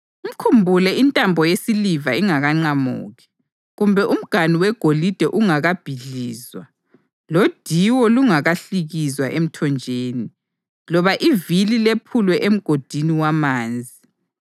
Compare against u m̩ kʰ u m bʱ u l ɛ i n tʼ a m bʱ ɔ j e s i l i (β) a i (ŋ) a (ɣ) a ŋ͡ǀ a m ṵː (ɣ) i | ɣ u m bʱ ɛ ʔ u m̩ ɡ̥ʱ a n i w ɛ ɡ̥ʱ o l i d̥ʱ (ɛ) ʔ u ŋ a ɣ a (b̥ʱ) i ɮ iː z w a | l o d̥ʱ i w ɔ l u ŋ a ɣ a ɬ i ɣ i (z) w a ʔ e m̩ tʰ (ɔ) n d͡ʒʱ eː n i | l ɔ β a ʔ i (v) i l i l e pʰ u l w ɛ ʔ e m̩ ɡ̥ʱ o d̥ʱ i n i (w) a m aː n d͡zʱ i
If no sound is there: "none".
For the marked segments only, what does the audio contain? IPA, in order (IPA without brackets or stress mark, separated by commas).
v, ŋ, ɣ, ɣ, ɛ, b̥ʱ, z, ɔ, v, w